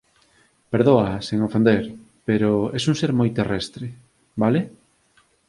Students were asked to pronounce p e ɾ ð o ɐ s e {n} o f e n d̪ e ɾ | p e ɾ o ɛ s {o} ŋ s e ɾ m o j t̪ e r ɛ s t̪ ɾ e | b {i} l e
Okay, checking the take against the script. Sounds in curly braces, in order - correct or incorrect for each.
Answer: incorrect: ŋ, incorrect: u, incorrect: a

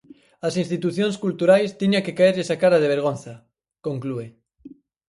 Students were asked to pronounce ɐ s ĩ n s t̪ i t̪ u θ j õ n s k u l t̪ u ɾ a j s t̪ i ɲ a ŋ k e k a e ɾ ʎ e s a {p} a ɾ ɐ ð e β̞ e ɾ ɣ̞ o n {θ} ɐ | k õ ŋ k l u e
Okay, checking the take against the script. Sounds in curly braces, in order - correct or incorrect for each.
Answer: incorrect: k, correct

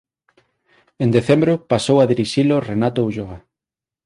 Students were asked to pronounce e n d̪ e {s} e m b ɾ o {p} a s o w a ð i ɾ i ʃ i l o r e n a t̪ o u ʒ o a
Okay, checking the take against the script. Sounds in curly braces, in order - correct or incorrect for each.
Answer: incorrect: θ, correct

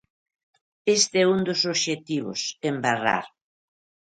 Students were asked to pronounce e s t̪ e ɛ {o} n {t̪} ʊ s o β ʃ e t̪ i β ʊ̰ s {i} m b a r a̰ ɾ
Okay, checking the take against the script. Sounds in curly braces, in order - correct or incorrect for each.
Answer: incorrect: u, incorrect: d̪, incorrect: e

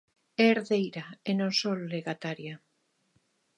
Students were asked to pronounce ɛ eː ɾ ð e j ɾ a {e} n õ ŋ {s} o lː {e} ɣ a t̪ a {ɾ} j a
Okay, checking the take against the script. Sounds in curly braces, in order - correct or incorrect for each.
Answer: correct, correct, correct, correct

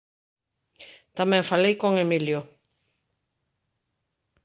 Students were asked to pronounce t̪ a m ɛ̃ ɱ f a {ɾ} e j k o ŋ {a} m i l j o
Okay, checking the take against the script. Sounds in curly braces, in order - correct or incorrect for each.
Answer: incorrect: l, incorrect: e

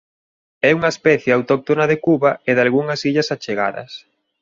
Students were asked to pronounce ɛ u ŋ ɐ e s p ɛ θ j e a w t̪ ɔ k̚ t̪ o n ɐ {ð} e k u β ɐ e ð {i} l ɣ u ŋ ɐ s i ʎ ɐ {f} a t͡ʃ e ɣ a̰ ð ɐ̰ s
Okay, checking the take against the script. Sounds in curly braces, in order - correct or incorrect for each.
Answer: correct, incorrect: a, incorrect: s

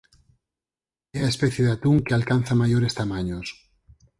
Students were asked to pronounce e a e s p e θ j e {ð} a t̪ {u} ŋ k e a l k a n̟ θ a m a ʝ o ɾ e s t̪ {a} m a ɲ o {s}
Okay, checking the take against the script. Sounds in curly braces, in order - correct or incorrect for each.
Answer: correct, correct, correct, correct

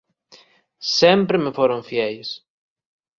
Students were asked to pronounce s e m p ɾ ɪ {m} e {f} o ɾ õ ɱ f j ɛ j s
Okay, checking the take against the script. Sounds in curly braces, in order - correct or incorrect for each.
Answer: correct, correct

